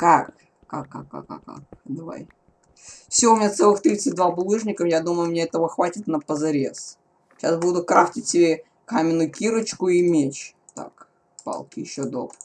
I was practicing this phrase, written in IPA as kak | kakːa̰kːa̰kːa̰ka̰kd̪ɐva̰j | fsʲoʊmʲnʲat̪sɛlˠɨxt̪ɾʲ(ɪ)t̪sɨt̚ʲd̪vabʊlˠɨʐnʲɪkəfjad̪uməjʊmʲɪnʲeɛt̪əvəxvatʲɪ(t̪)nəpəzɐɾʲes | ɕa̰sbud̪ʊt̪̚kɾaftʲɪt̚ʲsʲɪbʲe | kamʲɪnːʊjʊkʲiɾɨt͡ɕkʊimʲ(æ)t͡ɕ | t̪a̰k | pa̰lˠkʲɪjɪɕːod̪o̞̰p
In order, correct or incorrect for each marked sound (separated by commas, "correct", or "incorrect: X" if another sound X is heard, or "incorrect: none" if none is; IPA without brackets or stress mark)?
incorrect: i, correct, incorrect: e